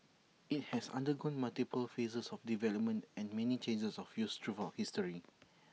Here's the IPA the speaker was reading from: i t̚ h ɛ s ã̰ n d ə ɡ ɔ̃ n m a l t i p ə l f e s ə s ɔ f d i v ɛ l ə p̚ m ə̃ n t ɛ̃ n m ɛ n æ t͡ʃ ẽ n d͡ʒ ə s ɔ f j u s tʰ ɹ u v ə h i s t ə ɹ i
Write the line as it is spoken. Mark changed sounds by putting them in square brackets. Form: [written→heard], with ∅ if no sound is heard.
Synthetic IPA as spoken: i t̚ h ɛ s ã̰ n d ə ɡ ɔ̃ n m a l t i p ə l f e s ə s ɔ f d i v ɛ l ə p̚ m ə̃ n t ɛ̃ n m ɛ n [æ→i] t͡ʃ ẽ n d͡ʒ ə s ɔ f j u s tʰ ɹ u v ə h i s t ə ɹ i

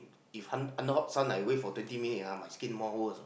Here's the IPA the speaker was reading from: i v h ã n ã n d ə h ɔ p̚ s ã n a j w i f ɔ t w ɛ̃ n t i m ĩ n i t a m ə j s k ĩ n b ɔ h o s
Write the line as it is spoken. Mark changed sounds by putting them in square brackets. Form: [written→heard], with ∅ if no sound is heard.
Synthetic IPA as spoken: i [v→f] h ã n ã n d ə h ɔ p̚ s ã n a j w [i→e] f ɔ t w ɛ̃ n t i m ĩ n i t a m [ə→a] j s k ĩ n [b→m] ɔ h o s

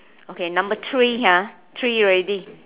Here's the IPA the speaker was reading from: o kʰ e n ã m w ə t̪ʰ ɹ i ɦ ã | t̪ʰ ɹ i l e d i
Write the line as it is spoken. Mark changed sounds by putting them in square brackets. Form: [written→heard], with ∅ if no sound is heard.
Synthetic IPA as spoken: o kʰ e n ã m [w→b] ə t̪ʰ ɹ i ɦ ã | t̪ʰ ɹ i [l→ɹ] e d i

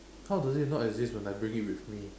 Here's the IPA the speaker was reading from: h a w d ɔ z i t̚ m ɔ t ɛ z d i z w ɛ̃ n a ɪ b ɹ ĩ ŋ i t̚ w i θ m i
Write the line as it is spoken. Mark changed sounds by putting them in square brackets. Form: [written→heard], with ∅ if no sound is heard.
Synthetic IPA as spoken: h a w d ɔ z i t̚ [m→n] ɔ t ɛ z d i [z→s] w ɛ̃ n a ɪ b ɹ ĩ ŋ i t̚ w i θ m i

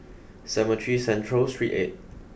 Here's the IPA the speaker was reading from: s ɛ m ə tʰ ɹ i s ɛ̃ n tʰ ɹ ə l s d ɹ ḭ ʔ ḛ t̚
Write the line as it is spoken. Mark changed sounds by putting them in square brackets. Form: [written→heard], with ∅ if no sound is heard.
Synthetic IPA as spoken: s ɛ m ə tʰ ɹ i s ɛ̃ n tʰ ɹ ə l s [d→t] ɹ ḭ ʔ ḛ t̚

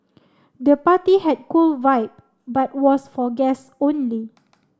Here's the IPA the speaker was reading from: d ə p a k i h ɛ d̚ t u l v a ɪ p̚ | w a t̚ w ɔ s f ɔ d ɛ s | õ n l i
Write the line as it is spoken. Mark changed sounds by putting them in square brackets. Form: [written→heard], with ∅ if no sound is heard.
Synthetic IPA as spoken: d ə p a [k→t] i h ɛ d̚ [t→k] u l v a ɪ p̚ | [w→b] a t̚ w ɔ s f ɔ [d→ɡ] ɛ s | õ n l i

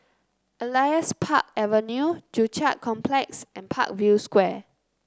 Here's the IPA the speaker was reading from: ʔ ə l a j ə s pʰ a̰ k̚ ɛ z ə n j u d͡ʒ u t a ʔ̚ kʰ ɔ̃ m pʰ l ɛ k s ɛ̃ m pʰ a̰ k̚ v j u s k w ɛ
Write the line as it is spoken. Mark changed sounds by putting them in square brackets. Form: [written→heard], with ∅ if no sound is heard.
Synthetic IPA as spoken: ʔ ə l a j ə s pʰ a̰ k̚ ɛ [z→v] ə n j u d͡ʒ u [t→t͡ʃ] a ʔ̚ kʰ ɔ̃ m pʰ l ɛ k s ɛ̃ [m→n] pʰ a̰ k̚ v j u s k w ɛ

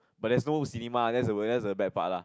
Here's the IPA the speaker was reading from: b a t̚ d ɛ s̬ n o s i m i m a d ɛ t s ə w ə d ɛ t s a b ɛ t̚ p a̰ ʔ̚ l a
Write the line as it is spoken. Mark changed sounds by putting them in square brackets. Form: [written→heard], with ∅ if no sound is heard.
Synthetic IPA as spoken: b a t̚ d ɛ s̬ n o s i [m→n] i m a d ɛ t s ə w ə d ɛ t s [a→ə] b ɛ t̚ p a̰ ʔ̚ l a

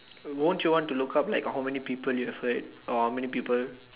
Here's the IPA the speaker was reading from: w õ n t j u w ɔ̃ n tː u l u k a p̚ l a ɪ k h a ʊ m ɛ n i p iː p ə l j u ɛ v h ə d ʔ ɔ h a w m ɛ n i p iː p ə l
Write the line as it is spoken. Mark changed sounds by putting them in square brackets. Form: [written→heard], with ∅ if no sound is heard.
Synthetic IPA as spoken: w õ n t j u w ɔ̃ n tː u l u k a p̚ l a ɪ k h a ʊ m ɛ n i p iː p ə l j u ɛ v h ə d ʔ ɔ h a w m ɛ n i p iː p ə l

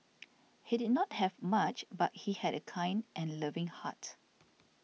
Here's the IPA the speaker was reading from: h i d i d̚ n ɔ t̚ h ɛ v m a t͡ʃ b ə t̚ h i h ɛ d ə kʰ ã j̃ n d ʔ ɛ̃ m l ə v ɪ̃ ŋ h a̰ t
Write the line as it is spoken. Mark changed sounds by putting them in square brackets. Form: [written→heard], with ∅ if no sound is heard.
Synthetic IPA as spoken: h i d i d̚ n ɔ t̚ h ɛ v m a t͡ʃ b [ə→a] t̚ h i h ɛ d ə kʰ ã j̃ n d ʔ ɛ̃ [m→n] l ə v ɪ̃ ŋ h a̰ t

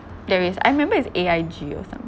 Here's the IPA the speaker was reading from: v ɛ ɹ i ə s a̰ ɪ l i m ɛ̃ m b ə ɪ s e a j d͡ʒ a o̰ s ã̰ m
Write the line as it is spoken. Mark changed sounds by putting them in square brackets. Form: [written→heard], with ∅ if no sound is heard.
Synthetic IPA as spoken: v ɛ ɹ i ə s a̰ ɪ [l→ɹ] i m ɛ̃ m b ə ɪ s e a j d͡ʒ [a→i] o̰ s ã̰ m

